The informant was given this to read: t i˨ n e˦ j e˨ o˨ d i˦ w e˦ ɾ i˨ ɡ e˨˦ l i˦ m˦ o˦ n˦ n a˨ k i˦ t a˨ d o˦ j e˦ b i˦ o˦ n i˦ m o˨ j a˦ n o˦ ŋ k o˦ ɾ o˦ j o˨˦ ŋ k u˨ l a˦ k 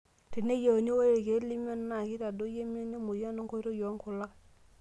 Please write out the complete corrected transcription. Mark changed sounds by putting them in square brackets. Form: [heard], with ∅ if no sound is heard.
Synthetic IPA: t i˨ n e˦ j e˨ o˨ [n] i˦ w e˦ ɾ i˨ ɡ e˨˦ l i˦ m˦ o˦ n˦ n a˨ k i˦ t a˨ d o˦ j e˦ [m] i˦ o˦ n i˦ m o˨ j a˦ n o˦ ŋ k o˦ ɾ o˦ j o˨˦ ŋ k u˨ l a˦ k